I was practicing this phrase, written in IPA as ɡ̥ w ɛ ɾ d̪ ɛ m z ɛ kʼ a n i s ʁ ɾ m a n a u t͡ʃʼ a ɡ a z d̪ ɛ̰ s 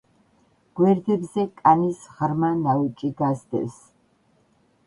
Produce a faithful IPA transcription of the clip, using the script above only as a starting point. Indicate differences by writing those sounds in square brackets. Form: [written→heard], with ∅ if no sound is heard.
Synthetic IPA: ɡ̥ w ɛ ɾ d̪ ɛ [m→b] z ɛ kʼ a n i s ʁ ɾ m a n a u t͡ʃʼ [a→i] ɡ a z d̪ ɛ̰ s